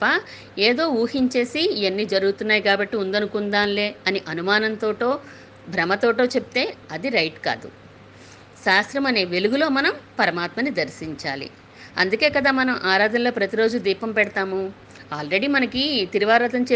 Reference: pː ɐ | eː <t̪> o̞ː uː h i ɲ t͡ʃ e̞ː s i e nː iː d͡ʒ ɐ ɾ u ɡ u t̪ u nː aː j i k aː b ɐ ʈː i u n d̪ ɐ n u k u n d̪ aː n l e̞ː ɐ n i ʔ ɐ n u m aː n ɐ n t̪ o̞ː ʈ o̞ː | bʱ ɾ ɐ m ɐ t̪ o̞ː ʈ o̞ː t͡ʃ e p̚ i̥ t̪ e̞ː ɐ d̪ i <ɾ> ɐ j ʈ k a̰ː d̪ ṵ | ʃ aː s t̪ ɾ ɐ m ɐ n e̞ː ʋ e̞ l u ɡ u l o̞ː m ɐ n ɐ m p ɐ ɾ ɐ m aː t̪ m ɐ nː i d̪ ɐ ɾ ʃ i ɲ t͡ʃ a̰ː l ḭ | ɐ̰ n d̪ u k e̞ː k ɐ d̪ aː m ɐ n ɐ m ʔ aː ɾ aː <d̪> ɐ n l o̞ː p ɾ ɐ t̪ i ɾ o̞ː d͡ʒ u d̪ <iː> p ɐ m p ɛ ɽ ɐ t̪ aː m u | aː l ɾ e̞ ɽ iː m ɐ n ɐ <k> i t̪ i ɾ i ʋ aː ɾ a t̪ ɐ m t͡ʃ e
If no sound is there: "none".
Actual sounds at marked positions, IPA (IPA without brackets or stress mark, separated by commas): d̪, ɾ, d̪, iː, k